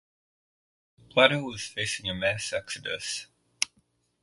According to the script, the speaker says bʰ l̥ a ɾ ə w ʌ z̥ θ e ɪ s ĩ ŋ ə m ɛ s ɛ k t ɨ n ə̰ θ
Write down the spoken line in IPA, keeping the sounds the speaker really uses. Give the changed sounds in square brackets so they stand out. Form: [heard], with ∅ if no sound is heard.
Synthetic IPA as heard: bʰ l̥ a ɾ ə w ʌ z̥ [f] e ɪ s [ɪ̃] ŋ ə m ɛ s ɛ k [s] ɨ [d] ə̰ [s]